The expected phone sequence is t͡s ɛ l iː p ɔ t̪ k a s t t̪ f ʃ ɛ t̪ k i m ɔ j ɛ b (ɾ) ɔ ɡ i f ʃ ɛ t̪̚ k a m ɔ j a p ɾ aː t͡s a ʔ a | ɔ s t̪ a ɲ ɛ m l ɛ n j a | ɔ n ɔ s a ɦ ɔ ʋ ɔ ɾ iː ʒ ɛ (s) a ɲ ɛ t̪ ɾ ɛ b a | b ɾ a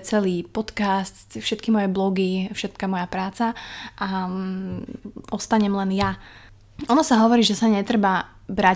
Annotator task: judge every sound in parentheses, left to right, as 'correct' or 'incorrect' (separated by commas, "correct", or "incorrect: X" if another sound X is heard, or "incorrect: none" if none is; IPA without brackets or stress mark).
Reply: incorrect: l, correct